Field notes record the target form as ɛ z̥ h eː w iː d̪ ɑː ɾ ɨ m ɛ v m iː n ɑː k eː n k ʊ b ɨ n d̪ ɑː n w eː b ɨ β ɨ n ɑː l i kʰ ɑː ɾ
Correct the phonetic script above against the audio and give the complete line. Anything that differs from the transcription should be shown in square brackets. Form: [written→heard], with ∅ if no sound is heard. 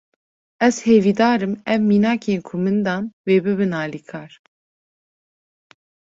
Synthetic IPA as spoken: ɛ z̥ h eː [w→v] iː d̪ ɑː ɾ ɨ m ɛ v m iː n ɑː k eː n [k→kʰ] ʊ [b→m] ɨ n d̪ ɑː n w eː b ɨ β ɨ n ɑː l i kʰ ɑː ɾ